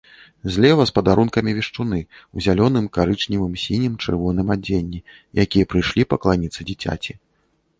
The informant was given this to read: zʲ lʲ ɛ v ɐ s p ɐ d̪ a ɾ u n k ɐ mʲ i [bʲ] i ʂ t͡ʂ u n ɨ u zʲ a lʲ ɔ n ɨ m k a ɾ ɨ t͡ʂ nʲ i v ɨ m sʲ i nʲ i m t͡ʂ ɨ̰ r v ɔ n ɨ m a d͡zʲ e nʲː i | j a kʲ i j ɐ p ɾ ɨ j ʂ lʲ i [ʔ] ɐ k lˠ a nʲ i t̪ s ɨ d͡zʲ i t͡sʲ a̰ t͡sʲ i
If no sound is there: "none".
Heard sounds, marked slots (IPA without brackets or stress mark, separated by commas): vʲ, p